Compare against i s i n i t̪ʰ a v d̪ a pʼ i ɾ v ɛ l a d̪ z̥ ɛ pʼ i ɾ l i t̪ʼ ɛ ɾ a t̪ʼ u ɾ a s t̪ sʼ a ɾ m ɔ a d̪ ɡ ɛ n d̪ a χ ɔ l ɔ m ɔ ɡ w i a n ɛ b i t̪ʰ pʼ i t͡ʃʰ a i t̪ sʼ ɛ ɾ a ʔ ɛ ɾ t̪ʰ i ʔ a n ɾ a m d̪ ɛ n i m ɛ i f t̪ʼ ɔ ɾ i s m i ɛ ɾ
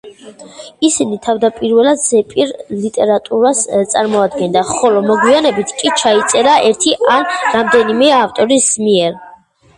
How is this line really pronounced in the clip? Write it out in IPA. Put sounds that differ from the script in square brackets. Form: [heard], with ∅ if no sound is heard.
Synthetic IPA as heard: i s i n i t̪ʰ a v d̪ a pʼ i ɾ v ɛ l a d̪ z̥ ɛ pʼ i ɾ l i t̪ʼ ɛ ɾ a t̪ʼ u ɾ a s t̪ sʼ a ɾ m ɔ a d̪ ɡ ɛ n d̪ a χ ɔ l ɔ m ɔ ɡ w i a n ɛ b i t̪ʰ [kʼ] i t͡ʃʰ a i t̪ sʼ ɛ ɾ a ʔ ɛ ɾ t̪ʰ i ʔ a n ɾ a m d̪ ɛ n i m ɛ [a] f t̪ʼ ɔ ɾ i s m i ɛ ɾ